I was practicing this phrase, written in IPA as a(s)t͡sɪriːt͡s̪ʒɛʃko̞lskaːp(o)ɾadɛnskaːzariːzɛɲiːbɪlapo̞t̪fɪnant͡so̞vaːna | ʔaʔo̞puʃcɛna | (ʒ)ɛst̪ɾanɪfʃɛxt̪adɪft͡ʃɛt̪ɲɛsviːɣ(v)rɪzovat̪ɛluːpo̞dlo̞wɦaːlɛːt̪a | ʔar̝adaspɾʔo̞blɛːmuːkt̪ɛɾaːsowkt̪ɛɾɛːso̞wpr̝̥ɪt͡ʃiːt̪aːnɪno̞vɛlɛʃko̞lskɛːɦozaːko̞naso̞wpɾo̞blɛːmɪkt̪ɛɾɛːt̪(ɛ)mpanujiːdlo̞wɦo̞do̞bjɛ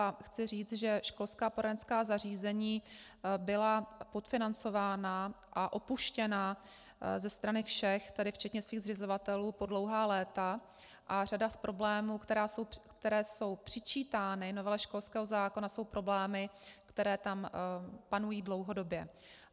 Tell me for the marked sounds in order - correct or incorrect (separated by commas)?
incorrect, correct, incorrect, incorrect, incorrect